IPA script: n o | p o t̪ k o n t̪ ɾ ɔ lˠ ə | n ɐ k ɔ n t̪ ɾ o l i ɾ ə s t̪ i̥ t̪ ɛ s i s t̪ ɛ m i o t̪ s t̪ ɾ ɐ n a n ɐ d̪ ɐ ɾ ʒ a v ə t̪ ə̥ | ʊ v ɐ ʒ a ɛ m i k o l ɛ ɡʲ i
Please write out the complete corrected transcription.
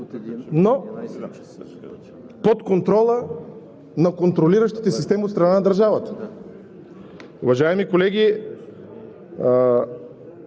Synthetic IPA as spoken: n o | p o t̪ k o n t̪ ɾ ɔ lˠ ə | n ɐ k o n t̪ ɾ o l i ɾ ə ʃ t̪ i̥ t̪ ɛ s i s t̪ ɛ m i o t̪ s t̪ ɾ ɐ n a n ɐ d̪ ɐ ɾ ʒ a v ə t̪ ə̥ | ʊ v ɐ ʒ a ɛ m i k o l ɛ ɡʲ i